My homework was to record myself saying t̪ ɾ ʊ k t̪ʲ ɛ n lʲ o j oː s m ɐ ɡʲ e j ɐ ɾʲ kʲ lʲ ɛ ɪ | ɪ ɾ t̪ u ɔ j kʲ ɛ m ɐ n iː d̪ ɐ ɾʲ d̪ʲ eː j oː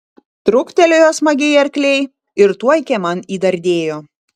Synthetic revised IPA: t̪ ɾ ʊ k t̪ʲ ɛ lʲ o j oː s m ɐ ɡʲ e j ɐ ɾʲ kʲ lʲ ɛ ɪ | ɪ ɾ t̪ u ɔ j kʲ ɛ m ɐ n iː d̪ ɐ ɾʲ d̪ʲ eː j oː